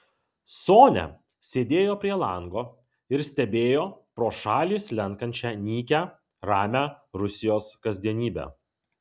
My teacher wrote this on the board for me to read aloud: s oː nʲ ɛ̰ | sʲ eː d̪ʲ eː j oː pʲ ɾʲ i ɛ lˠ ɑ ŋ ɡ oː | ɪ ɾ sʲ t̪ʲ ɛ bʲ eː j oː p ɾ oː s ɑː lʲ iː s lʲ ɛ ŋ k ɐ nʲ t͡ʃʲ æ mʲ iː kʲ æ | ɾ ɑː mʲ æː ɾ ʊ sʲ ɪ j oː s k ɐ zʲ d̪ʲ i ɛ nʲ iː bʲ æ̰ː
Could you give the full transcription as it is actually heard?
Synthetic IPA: s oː nʲ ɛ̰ | sʲ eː d̪ʲ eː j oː pʲ ɾʲ i ɛ lˠ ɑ ŋ ɡ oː | ɪ ɾ sʲ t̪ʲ ɛ bʲ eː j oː p ɾ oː ʃ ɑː lʲ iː s lʲ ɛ ŋ k ɐ nʲ t͡ʃʲ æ nʲ iː kʲ æ | ɾ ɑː mʲ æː ɾ ʊ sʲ ɪ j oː s k ɐ zʲ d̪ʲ i ɛ nʲ iː bʲ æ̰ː

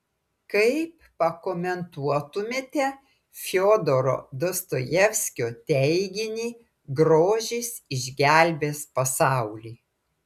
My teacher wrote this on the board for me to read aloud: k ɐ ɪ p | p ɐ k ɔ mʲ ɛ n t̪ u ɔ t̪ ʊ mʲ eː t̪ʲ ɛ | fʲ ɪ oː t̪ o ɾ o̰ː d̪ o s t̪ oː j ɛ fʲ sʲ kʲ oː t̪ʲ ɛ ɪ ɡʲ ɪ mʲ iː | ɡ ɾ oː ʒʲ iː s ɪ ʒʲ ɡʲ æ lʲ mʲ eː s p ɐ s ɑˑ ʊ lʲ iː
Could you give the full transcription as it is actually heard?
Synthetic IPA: k ɐ ɪ p | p ɐ k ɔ mʲ ɛ n t̪ u ɔ t̪ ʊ mʲ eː t̪ʲ ɛ | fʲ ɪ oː d̪ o ɾ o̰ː d̪ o s t̪ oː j ɛ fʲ sʲ kʲ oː t̪ʲ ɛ ɪ ɡʲ ɪ nʲ iː | ɡ ɾ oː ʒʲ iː s ɪ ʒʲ ɡʲ æ lʲ bʲ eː s p ɐ s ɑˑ ʊ lʲ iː

